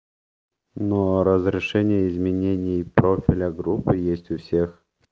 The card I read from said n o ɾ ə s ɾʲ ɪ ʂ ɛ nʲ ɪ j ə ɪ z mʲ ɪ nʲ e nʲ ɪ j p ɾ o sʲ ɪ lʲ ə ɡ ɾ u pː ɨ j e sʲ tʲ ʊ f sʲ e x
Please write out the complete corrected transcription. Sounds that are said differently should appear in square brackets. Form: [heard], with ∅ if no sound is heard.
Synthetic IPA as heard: n o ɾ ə [z] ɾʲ ɪ ʂ ɛ nʲ ɪ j ə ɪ z mʲ ɪ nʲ e nʲ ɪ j p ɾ o [fʲ] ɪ lʲ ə ɡ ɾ u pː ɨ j e sʲ tʲ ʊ f sʲ e x